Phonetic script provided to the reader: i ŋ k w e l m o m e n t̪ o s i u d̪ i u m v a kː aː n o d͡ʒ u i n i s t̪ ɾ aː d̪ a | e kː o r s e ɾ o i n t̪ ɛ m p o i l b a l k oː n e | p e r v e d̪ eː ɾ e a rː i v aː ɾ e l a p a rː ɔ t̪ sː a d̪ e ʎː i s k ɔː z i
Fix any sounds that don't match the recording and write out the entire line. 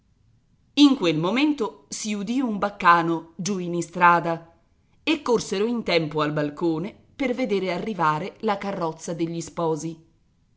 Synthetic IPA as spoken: i ŋ k w e l m o m e n t̪ o s i u d̪ i u m b a kː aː n o d͡ʒ u i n i s t̪ ɾ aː d̪ a | e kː o r s e ɾ o i n t̪ ɛ m p o a l b a l k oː n e | p e r v e d̪ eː ɾ e a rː i v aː ɾ e l a k a rː ɔ t̪ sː a d̪ e ʎː i s p ɔː z i